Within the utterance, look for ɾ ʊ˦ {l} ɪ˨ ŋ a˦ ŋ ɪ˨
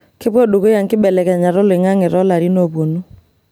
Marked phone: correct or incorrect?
correct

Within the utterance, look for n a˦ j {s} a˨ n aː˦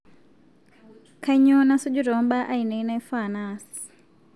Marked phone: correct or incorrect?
incorrect: f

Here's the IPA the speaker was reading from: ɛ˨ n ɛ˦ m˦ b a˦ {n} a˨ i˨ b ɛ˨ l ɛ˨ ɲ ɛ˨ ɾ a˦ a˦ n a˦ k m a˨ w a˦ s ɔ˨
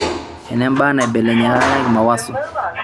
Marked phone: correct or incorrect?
correct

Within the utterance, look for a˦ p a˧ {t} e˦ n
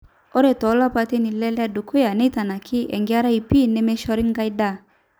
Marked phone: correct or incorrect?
correct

